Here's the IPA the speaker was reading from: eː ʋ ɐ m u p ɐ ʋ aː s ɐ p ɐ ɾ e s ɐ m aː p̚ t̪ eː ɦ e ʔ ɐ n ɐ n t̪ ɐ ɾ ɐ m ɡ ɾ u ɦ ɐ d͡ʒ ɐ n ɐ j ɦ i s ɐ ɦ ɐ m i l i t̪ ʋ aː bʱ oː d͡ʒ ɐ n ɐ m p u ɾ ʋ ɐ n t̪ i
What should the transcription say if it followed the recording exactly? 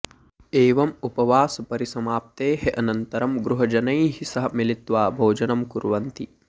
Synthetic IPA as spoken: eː ʋ ɐ m u p ɐ ʋ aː s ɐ p ɐ ɾ i s ɐ m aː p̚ t̪ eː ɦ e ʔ ɐ n ɐ n t̪ ɐ ɾ ɐ m ɡ ɾ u ɦ ɐ d͡ʒ ɐ n ɐ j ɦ i s ɐ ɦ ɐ m i l i t̪ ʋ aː bʱ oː d͡ʒ ɐ n ɐ m k u ɾ ʋ ɐ n t̪ i

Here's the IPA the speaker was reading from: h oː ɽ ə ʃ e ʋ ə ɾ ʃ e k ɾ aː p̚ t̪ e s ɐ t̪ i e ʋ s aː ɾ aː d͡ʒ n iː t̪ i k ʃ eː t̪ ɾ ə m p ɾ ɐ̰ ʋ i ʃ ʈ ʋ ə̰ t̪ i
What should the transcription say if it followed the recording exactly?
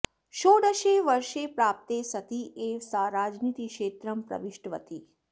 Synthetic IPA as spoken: ʃ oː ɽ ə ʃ e ʋ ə ɾ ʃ e p ɾ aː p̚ t̪ e s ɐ t̪ i e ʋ s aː ɾ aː d͡ʒ n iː t̪ i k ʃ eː t̪ ɾ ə m p ɾ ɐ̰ ʋ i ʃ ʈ ʋ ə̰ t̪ i

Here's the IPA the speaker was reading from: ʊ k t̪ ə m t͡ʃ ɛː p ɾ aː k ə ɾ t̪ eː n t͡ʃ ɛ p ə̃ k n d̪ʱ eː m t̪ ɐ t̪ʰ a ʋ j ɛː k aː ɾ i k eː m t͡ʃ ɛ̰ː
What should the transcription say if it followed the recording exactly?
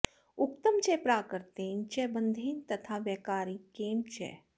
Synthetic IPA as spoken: ʊ k t̪ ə m t͡ʃ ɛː p ɾ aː k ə ɾ t̪ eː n t͡ʃ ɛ b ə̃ n d̪ʱ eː n t̪ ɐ t̪ʰ a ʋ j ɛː k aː ɾ i k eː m t͡ʃ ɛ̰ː

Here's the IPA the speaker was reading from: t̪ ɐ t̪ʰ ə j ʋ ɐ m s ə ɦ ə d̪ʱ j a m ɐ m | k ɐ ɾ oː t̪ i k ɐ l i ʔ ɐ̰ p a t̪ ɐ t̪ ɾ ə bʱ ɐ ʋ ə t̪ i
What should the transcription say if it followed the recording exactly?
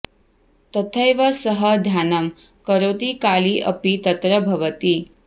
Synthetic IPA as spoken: t̪ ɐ t̪ʰ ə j ʋ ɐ s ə ɦ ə d̪ʱ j a n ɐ m | k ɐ ɾ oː t̪ i k a l i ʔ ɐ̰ p i t̪ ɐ t̪ ɾ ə bʱ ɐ ʋ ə t̪ i

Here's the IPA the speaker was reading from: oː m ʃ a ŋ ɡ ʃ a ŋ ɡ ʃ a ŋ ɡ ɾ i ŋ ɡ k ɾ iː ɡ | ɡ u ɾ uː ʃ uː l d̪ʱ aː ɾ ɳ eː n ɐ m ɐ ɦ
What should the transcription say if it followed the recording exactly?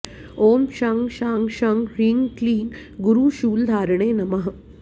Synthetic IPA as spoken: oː m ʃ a ŋ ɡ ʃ a ŋ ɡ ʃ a ŋ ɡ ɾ i ŋ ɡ k l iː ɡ | ɡ u ɾ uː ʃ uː l d̪ʱ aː ɾ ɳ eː n ɐ m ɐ ɦ

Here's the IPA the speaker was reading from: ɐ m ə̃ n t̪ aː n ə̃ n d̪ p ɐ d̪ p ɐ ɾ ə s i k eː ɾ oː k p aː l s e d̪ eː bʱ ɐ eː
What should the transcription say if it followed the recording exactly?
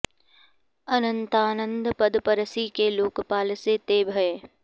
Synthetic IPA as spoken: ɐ n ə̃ n t̪ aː n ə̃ n d̪ p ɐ d̪ p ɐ ɾ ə s i k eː l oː k p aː l s e t̪ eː bʱ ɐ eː

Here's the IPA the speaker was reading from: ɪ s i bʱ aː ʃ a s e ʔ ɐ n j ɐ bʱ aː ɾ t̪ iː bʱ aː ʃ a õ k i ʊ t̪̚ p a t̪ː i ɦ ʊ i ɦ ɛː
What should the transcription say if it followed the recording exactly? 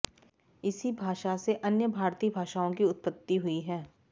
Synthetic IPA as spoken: ɪ s i bʱ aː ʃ a s e ʔ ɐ n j ə bʱ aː ɾ t̪ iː bʱ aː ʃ a õ k i ʊ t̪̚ p ə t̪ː i ɦ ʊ i ɦ ɛː

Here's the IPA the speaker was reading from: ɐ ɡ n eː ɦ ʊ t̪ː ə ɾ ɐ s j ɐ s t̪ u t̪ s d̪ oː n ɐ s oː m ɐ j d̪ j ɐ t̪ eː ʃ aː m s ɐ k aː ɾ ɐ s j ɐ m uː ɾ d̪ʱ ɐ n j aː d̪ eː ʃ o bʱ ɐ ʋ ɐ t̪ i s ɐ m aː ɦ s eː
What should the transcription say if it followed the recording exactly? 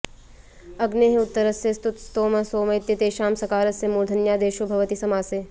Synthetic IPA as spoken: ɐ ɡ n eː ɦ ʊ t̪ː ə ɾ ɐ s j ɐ s t̪ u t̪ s t̪ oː m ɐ s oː m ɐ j t̪ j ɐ t̪ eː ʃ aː m s ɐ k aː ɾ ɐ s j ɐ m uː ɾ d̪ʱ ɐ n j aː d̪ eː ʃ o bʱ ɐ ʋ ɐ t̪ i s ɐ m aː s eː

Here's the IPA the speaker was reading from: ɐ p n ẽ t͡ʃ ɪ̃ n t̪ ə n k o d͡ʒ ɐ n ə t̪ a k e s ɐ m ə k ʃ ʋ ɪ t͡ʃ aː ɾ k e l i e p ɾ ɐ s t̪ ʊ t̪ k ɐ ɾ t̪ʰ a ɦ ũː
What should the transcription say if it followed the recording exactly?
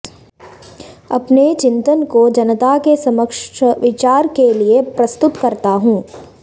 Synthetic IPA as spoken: ɐ p n e t͡ʃ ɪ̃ n t̪ ə n k o d͡ʒ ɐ n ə t̪ a k e s ɐ m ə k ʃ ʋ ɪ t͡ʃ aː ɾ k e l i e p ɾ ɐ s t̪ ʊ t̪ k ɐ ɾ t̪ a ɦ ũː

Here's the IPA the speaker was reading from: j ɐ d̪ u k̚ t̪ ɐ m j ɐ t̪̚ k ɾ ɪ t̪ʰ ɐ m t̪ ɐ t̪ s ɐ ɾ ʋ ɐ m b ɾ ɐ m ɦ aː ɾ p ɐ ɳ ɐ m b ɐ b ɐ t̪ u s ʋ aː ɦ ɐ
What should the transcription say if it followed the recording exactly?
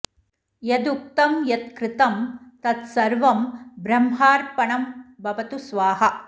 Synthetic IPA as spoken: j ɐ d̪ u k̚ t̪ ɐ m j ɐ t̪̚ k ɾ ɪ t̪ ɐ m t̪ ɐ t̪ s ɐ ɾ ʋ ɐ m b ɾ ɐ m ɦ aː ɾ p ɐ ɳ ɐ m b ɐ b ɐ t̪ u s ʋ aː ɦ ɐ

